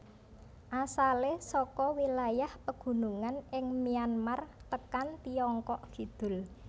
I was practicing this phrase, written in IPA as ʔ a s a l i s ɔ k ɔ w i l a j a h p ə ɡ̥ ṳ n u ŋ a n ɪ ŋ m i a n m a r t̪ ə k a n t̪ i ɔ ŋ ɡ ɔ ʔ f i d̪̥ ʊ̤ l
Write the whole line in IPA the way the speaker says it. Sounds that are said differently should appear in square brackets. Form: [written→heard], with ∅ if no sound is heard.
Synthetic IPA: ʔ a s a l [i→e] s ɔ k ɔ w i l a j a h p ə ɡ̥ ṳ n u ŋ a n ɪ ŋ m i a n m a r t̪ ə k a n t̪ i ɔ ŋ [ɡ→k] ɔ ʔ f i d̪̥ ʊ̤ l